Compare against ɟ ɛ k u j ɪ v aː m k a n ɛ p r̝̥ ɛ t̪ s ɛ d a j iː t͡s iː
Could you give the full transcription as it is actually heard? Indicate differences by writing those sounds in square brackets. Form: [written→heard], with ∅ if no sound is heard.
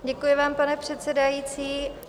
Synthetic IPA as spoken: ɟ ɛ k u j ɪ v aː m [k→p] a n ɛ p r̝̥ ɛ t̪ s ɛ d a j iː t͡s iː